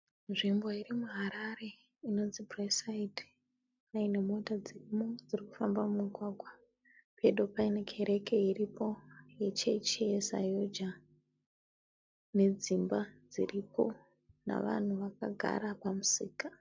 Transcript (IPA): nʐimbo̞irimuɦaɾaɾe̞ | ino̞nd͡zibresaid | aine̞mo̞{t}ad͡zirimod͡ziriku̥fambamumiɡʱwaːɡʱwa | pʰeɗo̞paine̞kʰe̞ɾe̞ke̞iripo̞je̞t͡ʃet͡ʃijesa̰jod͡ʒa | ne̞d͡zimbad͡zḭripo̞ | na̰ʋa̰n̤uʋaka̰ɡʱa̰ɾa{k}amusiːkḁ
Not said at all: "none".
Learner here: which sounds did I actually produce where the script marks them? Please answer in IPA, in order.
t, p

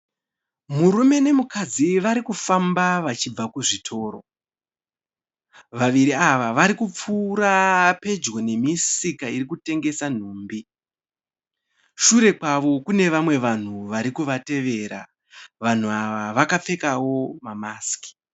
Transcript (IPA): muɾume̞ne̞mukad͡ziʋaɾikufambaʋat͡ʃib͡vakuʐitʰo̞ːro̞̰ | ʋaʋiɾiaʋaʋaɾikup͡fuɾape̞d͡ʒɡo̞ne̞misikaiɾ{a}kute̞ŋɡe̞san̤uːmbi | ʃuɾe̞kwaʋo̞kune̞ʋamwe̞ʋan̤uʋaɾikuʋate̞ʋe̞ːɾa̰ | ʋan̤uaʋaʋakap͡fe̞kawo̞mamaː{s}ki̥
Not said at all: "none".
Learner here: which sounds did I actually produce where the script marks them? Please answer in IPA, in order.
i, s

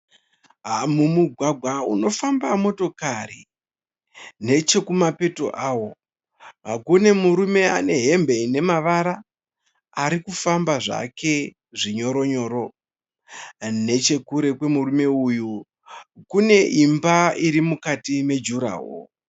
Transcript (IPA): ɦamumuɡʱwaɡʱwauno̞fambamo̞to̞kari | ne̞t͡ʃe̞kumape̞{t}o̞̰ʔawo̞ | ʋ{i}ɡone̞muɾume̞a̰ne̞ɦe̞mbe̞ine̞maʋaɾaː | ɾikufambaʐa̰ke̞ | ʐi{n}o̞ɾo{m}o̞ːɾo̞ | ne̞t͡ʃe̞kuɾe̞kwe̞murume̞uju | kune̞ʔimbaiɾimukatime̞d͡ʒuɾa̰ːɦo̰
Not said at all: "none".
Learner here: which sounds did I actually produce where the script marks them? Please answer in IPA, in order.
t, a, ɲ, ɲ

